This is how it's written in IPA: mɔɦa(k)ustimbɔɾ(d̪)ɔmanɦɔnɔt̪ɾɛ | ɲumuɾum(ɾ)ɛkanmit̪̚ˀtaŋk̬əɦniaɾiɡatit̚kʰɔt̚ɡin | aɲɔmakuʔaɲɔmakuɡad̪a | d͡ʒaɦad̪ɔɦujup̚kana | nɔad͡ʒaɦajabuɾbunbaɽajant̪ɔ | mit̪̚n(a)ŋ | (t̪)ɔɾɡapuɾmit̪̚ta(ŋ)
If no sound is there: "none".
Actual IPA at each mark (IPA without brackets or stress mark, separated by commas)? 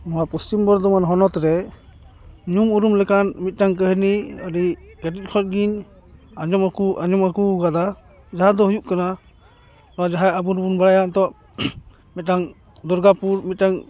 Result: p, d̪, l, a, d̪, ŋ